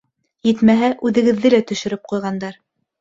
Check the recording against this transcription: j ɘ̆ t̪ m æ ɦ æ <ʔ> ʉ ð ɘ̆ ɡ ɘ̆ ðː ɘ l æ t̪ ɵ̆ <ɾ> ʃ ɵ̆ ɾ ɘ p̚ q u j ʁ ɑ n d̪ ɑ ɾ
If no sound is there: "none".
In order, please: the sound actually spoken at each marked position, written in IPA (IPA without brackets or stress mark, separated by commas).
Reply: ʔ, none